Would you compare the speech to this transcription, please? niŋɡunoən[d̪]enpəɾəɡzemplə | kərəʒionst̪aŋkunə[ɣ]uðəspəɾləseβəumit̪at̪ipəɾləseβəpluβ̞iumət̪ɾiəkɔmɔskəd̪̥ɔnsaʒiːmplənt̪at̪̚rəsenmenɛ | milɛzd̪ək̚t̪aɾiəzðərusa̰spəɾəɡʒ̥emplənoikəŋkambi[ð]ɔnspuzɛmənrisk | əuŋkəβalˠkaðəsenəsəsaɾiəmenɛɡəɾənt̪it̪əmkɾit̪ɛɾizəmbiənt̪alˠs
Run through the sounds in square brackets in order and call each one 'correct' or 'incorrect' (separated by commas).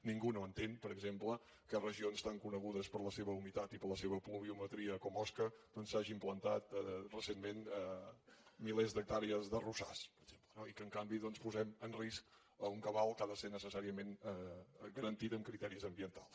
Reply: incorrect, correct, correct